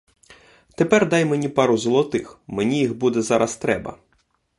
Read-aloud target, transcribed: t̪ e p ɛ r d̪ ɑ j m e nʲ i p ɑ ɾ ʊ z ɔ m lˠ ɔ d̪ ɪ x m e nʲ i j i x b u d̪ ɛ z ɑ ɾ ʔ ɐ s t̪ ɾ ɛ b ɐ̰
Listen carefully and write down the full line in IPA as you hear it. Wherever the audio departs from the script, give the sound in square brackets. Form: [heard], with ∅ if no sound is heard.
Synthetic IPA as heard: t̪ e p ɛ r d̪ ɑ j m e nʲ i p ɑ ɾ ʊ z ɔ [∅] lˠ ɔ [t̪] ɪ x m e nʲ i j i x b u d̪ ɛ z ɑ ɾ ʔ ɐ s t̪ ɾ ɛ b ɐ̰